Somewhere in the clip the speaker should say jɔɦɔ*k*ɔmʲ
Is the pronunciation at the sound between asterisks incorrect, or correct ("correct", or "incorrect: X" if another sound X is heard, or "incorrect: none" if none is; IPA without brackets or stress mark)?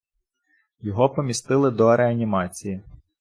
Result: incorrect: p